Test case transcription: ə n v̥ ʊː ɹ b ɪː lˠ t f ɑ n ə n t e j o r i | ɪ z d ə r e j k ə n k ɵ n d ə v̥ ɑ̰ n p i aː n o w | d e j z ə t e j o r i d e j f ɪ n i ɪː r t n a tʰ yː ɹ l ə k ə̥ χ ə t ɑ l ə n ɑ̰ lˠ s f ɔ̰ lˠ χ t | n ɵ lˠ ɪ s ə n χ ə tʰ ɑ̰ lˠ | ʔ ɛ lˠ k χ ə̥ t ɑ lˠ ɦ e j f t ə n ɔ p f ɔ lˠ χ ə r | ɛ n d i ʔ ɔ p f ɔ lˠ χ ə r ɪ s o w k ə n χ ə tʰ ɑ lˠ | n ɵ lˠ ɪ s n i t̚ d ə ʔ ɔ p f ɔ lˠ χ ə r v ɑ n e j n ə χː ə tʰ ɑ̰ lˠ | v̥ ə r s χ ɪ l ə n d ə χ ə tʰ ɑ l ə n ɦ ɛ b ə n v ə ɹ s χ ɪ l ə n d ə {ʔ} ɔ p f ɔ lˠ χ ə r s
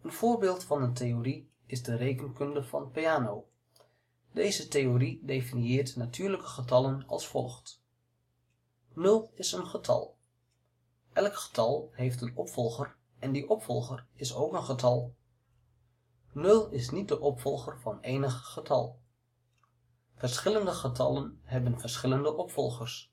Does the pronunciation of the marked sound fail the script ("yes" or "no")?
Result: no